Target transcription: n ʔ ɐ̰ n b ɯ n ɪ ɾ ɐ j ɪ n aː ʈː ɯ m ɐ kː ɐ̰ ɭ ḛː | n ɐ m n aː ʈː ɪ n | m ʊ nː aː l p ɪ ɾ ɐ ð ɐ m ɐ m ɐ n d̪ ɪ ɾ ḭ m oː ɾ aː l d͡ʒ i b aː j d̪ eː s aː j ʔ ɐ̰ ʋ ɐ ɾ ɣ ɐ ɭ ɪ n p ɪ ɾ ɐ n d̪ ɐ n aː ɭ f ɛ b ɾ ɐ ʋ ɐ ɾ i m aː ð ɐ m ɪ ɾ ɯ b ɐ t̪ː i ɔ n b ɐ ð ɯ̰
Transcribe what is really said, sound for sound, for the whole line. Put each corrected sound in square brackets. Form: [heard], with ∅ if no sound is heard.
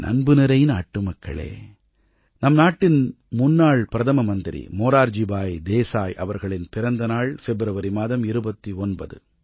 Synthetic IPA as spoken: n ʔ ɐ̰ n b ɯ n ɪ ɾ ɐ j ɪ n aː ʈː ɯ m ɐ kː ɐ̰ ɭ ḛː | n ɐ m n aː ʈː ɪ n | m ʊ nː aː [ɭ] p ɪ ɾ ɐ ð ɐ m ɐ m ɐ n d̪ ɪ ɾ ḭ m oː ɾ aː [ɾ] d͡ʒ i b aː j d̪ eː s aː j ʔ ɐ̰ ʋ ɐ ɾ ɣ ɐ ɭ ɪ n p ɪ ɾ ɐ n d̪ ɐ n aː ɭ f ɛ b ɾ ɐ ʋ ɐ ɾ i m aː ð ɐ m ɪ ɾ ɯ b ɐ t̪ː i ɔ n b ɐ ð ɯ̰